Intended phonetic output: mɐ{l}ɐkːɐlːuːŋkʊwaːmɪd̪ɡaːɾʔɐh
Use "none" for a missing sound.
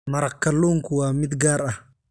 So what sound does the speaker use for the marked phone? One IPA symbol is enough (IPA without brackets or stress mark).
ɾ